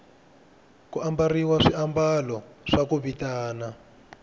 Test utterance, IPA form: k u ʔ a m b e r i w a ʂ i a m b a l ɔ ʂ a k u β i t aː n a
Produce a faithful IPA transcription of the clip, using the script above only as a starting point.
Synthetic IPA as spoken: k u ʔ a m b a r i w a ʂ i a m b a l ɔ ʂ a k u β i t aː n a